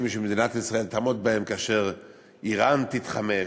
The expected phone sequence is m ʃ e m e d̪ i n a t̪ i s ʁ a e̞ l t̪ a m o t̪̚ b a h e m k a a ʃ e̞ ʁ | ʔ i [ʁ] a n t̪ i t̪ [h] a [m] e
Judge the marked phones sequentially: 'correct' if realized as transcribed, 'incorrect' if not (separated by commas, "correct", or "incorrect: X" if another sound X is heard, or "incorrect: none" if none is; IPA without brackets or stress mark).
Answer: correct, incorrect: χ, correct